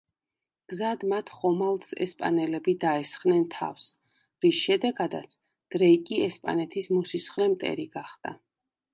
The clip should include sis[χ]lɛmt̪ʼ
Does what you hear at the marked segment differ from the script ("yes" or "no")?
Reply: no